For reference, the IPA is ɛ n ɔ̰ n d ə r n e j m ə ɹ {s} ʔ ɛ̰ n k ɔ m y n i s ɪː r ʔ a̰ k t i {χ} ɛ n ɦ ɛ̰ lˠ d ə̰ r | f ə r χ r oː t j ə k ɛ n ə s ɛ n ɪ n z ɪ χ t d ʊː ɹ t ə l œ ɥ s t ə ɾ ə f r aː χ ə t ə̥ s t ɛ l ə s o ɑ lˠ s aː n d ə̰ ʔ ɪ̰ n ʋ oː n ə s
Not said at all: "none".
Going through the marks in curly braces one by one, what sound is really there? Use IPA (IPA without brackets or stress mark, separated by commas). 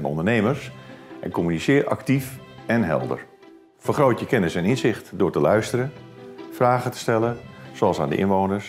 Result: s, f